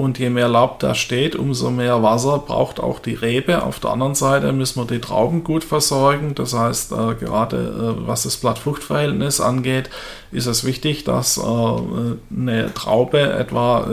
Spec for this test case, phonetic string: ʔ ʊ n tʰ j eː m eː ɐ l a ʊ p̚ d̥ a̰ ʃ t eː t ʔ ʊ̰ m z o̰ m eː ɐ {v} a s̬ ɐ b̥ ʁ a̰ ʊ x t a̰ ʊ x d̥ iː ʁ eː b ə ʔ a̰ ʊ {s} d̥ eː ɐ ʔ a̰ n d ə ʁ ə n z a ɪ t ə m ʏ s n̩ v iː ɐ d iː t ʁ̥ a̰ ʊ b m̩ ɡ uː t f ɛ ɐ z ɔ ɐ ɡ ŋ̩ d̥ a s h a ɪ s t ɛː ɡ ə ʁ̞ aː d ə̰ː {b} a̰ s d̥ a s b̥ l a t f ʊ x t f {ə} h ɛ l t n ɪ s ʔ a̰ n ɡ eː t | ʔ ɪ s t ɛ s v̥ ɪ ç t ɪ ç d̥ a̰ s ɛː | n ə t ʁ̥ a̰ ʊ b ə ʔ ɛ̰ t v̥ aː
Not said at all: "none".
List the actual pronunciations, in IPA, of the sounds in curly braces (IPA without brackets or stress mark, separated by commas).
v, f, v, ɐ